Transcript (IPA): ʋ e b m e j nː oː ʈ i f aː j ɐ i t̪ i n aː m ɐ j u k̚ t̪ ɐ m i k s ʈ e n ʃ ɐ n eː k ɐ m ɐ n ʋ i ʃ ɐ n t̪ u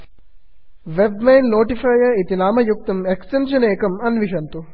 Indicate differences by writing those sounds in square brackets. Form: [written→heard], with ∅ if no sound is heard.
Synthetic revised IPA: ʋ e b m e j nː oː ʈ i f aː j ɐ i t̪ i n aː m ɐ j u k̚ t̪ ɐ m [i→e] k s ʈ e n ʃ ɐ n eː k ɐ m ɐ n ʋ i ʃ ɐ n t̪ u

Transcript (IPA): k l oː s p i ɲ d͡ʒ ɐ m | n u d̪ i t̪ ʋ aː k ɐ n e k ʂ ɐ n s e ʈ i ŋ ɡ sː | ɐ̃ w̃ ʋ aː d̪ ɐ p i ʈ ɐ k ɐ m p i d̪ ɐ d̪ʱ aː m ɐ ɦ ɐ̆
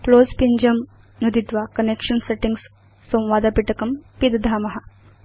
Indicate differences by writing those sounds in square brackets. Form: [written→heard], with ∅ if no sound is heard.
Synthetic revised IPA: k l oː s p i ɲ d͡ʒ ɐ m | n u d̪ i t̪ ʋ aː k ɐ n e k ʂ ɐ n s e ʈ i ŋ ɡ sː | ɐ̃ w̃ ʋ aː d̪ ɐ p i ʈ ɐ k ɐ m p i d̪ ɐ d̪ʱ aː m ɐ ɦ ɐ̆

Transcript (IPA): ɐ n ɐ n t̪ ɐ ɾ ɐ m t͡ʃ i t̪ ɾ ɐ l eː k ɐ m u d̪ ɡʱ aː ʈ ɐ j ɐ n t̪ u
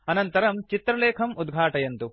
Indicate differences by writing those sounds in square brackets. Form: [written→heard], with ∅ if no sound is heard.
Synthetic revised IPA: ɐ n ɐ n t̪ ɐ ɾ ɐ m t͡ʃ i t̪ ɾ ɐ l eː [k→kʰ] ɐ m u d̪ ɡʱ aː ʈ ɐ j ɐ n t̪ u

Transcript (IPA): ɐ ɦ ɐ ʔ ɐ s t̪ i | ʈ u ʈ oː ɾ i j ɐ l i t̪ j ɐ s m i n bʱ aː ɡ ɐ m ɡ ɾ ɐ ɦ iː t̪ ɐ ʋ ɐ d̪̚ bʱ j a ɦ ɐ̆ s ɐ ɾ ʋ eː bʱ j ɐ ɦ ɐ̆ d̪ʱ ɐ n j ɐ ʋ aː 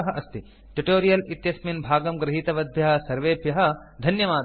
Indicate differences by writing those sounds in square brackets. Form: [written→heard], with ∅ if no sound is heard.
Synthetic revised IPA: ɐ ɦ ɐ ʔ ɐ s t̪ i | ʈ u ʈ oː ɾ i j ɐ l i t̪ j ɐ s m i n bʱ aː ɡ ɐ m ɡ ɾ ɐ ɦ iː t̪ ɐ ʋ ɐ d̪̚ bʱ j [a→ɐ] ɦ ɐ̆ s ɐ ɾ ʋ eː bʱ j ɐ ɦ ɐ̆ d̪ʱ ɐ n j ɐ ʋ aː

